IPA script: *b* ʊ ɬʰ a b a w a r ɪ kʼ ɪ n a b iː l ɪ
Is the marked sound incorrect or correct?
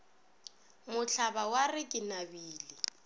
incorrect